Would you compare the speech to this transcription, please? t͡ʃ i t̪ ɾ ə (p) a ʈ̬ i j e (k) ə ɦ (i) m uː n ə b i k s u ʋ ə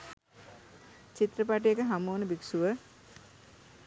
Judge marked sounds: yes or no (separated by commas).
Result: yes, yes, no